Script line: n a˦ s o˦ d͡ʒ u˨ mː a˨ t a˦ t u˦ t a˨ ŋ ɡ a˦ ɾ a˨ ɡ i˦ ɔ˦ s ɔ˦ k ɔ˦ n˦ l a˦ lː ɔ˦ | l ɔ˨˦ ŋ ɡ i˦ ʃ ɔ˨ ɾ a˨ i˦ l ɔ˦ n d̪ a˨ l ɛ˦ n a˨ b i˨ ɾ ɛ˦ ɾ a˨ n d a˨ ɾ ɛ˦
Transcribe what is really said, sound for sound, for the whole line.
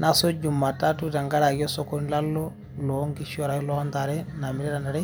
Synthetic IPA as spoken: n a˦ s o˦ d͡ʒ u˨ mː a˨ t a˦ t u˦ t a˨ ŋ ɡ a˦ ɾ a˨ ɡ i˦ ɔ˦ s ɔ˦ k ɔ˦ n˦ l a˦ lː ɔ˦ | l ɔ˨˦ ŋ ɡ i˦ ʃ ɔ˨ ɾ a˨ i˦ l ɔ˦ n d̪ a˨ ɾ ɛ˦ n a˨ m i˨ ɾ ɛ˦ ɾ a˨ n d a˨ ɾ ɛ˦